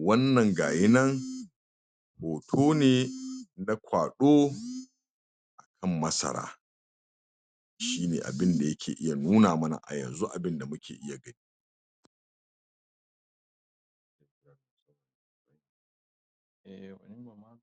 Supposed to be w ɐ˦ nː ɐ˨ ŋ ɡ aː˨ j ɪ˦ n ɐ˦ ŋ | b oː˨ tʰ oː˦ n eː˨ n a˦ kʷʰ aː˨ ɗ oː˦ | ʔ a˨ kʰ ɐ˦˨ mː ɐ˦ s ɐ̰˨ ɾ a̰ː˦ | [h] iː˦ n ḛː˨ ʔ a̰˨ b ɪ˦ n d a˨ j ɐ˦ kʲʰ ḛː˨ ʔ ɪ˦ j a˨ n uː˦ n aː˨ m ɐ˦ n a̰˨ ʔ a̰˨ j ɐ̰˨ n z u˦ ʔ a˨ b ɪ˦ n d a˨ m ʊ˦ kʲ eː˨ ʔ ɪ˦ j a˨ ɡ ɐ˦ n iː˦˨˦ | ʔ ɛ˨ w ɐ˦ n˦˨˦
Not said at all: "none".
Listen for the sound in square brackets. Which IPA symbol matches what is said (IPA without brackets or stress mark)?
ʃ